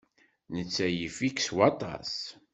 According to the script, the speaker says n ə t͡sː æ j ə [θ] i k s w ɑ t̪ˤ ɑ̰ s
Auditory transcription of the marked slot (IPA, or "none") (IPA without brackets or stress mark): f